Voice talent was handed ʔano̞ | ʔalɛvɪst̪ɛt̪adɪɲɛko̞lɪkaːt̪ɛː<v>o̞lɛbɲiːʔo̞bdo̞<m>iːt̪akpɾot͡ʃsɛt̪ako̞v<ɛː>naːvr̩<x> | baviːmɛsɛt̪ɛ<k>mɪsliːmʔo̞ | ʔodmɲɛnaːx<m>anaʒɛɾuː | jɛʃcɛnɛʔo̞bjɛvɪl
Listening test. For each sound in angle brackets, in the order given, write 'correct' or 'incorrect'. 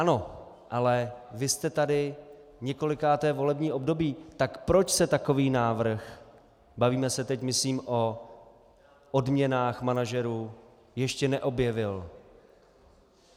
correct, incorrect: b, incorrect: iː, correct, incorrect: c, correct

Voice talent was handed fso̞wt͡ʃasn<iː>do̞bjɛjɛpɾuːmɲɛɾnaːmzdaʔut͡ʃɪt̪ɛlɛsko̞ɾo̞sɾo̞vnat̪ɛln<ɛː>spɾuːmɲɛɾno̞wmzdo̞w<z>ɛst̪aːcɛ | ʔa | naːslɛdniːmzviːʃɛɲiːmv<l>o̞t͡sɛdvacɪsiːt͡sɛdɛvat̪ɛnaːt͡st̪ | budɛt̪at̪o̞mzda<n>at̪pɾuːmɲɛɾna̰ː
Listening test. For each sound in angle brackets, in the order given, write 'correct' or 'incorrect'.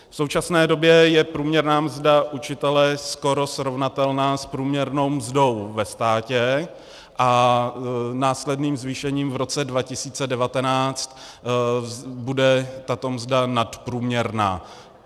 incorrect: ɛː, incorrect: aː, incorrect: v, incorrect: ɾ, correct

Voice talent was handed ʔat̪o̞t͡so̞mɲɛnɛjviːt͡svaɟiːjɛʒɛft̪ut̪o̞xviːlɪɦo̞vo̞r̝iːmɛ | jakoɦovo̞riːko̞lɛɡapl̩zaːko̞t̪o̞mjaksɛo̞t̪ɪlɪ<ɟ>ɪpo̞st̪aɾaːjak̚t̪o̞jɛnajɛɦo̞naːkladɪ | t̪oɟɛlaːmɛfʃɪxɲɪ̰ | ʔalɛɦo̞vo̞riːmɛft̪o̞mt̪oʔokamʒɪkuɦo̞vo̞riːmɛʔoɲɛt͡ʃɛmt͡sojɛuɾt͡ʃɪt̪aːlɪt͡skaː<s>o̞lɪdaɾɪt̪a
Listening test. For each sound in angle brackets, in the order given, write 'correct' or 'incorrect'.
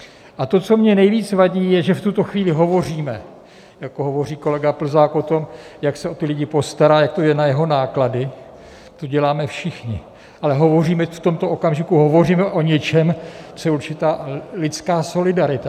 correct, correct

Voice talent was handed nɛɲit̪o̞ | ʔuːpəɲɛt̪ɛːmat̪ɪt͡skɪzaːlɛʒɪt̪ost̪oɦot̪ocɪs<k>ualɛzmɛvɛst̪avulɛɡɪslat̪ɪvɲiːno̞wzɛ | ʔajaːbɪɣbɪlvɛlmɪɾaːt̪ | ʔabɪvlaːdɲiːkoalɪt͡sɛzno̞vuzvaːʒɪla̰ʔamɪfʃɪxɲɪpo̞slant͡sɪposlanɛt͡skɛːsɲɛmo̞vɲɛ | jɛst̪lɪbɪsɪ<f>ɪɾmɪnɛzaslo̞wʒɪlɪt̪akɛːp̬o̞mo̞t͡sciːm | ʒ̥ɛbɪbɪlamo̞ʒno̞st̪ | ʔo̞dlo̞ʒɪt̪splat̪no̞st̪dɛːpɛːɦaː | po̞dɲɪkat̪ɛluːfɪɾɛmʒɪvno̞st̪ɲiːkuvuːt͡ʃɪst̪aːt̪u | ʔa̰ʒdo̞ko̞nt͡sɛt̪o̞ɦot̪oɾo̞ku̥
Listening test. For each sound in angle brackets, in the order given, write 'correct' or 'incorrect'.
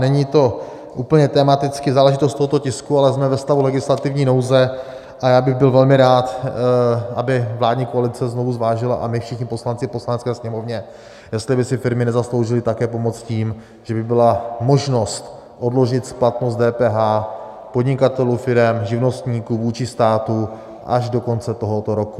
correct, correct

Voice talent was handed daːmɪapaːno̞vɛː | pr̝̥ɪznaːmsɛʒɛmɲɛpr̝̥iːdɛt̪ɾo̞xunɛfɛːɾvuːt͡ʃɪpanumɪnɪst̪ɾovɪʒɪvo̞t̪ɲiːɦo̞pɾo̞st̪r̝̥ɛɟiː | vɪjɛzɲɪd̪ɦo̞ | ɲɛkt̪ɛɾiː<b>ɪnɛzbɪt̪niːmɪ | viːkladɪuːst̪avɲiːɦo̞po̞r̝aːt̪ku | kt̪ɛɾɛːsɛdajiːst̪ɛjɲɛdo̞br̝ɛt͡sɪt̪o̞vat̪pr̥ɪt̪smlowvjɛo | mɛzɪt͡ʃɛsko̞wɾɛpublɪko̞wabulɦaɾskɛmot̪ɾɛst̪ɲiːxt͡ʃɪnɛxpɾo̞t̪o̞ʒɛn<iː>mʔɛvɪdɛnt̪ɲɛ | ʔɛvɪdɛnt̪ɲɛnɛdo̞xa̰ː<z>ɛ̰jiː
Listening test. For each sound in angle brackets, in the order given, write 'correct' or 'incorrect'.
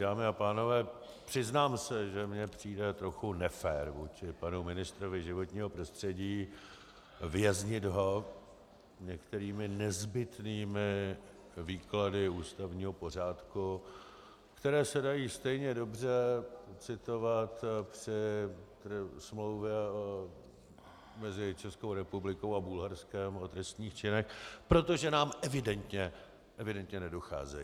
incorrect: m, incorrect: aː, correct

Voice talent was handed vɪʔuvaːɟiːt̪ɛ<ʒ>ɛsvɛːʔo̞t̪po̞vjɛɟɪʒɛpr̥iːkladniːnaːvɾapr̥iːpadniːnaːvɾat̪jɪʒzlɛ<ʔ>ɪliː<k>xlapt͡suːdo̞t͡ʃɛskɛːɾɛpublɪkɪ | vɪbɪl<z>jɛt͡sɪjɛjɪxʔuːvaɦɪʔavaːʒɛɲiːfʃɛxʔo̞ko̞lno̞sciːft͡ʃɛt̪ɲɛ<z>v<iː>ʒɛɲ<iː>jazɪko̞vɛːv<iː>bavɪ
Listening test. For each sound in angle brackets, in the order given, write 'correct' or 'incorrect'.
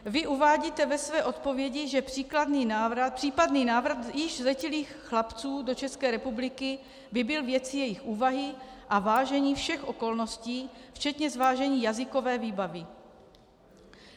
incorrect: v, incorrect: c, incorrect: x, incorrect: v, correct, incorrect: aː, correct, correct

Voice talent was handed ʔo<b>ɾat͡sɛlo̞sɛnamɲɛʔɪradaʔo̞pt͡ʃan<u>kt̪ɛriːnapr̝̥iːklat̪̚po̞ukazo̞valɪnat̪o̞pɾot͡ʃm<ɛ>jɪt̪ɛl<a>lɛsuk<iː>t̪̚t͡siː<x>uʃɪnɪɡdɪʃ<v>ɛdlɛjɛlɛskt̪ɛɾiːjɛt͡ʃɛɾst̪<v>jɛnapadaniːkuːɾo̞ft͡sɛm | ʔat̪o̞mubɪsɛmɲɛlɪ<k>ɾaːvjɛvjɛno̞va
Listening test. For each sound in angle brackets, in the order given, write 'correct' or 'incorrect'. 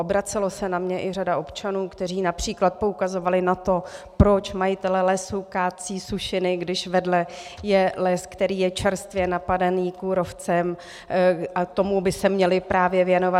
correct, incorrect: uː, incorrect: a, incorrect: ɛ, incorrect: aː, incorrect: s, correct, correct, incorrect: p

